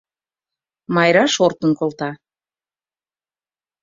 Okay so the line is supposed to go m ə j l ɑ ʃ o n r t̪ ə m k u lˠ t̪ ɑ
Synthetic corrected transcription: m ɑ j ɾ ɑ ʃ o r t̪ ə n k o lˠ t̪ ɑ